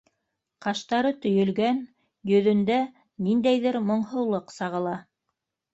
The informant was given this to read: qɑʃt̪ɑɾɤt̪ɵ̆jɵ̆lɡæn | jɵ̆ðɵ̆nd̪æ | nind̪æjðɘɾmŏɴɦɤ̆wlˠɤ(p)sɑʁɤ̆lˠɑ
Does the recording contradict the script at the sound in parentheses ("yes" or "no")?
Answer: yes